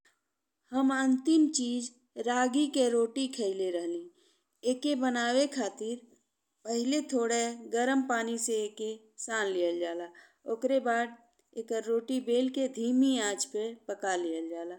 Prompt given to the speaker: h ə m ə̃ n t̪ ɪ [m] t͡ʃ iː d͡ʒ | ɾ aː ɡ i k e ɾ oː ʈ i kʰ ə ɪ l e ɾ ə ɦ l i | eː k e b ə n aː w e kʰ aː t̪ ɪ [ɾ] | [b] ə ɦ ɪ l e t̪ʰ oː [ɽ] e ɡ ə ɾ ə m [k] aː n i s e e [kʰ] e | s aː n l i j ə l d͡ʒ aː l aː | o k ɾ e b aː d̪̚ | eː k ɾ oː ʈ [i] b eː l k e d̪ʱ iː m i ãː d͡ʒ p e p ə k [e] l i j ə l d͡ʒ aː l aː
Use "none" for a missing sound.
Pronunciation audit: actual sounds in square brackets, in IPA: m, ɾ, p, ɽ, p, k, i, a

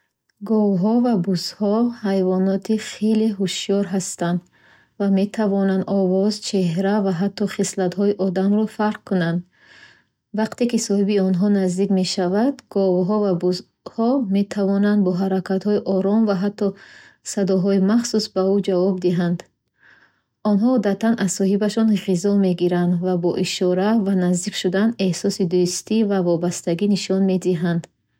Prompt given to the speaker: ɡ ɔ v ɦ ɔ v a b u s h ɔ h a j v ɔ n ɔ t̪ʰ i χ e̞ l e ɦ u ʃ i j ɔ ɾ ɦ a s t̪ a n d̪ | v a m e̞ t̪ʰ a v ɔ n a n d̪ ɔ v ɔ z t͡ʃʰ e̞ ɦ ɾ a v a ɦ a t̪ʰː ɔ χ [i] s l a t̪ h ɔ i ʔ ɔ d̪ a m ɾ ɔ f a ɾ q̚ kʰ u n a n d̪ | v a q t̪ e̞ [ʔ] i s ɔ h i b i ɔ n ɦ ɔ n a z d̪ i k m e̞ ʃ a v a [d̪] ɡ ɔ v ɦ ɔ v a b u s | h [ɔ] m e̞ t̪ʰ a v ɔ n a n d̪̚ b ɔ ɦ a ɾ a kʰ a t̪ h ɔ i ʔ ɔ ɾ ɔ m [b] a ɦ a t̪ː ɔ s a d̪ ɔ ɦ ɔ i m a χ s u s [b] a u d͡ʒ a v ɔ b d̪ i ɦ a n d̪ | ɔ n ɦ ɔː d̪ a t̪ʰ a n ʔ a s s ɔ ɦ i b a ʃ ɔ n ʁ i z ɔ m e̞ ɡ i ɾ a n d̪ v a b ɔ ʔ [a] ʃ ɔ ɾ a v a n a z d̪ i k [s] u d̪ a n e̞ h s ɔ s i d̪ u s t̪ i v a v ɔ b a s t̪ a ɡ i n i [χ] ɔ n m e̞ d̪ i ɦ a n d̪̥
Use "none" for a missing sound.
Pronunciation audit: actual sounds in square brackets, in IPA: i, k, d̪, ɔ, v, b, i, ʃ, ʃ

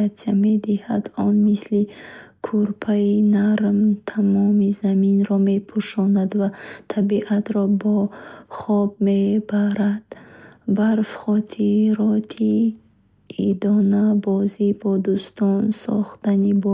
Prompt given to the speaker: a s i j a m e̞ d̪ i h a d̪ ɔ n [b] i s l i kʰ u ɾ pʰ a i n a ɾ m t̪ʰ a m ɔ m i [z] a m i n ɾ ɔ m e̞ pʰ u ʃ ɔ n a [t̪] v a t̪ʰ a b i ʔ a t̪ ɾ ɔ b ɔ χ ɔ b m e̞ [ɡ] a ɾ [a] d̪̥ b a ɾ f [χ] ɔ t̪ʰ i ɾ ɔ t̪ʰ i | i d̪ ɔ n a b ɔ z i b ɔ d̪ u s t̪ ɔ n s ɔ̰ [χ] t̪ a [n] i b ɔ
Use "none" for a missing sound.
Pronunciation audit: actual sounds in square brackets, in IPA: m, z, d̪, b, a, χ, χ, n

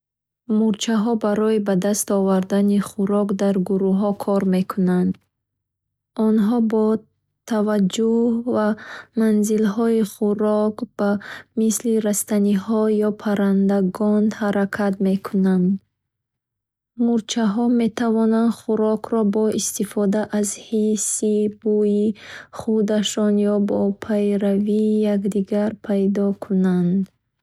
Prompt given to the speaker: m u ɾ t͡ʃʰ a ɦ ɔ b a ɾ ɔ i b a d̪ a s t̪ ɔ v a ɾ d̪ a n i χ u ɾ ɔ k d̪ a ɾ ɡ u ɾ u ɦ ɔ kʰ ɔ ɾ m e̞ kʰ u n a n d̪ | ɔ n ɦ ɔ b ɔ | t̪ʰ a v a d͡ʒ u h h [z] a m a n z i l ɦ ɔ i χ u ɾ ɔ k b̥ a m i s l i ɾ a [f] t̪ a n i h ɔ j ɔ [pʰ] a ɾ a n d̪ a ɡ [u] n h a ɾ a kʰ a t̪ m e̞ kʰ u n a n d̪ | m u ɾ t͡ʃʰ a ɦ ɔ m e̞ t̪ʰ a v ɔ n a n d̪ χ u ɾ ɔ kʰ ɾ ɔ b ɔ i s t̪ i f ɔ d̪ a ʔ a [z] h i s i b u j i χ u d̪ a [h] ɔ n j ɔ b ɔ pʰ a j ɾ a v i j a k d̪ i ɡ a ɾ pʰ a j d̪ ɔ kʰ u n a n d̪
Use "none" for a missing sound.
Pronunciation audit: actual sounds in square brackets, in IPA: v, s, pʰ, ɔ, z, ʃ

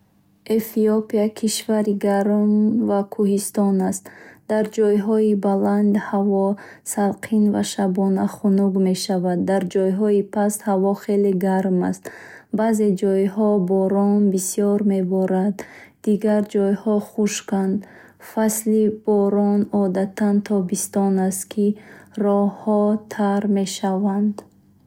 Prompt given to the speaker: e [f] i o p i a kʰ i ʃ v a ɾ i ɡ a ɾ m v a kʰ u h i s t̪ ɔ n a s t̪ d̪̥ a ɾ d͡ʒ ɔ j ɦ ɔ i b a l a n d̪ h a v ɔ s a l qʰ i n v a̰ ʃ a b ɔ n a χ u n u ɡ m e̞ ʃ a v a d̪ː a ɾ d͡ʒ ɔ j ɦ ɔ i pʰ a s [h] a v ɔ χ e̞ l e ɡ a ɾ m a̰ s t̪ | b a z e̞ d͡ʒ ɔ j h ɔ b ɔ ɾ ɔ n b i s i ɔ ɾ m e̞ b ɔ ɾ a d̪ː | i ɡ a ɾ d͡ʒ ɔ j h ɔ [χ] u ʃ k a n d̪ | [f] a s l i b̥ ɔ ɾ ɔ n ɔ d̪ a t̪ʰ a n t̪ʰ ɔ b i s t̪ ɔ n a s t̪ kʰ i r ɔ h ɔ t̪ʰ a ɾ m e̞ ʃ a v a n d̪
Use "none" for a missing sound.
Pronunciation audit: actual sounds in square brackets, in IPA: f, h, χ, f

